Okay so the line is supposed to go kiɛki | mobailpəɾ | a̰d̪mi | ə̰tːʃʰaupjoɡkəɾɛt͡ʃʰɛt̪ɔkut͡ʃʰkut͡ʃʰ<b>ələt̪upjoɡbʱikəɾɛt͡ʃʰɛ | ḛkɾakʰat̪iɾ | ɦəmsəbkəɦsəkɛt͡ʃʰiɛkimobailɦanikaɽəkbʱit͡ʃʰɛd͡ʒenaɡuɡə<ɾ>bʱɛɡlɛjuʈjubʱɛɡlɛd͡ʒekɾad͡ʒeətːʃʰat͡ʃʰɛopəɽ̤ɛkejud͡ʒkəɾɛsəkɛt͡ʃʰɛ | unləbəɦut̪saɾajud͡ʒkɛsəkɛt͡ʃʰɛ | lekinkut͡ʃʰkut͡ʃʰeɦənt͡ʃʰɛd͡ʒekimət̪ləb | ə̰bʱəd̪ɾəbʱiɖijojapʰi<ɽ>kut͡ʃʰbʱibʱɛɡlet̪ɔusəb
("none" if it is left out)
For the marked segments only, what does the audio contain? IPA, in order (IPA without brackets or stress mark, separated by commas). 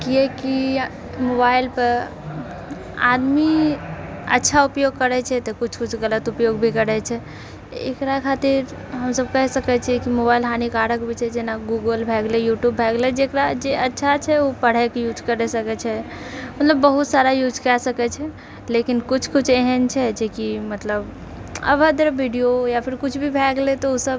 ɡ, l, ɾ